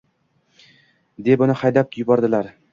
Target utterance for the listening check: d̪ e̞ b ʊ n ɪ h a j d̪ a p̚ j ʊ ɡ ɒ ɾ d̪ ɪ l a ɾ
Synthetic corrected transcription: d̪ e̞ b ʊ n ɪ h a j d̪ a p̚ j ʊ b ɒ ɾ d̪ ɪ l a ɾ